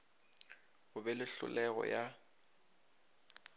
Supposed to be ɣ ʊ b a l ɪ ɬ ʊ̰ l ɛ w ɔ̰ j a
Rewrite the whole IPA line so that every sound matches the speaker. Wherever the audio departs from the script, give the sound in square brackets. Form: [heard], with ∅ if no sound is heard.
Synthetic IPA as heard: ɣ ʊ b [ɛ] l ɪ ɬ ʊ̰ l ɛ [ɣ] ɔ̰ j a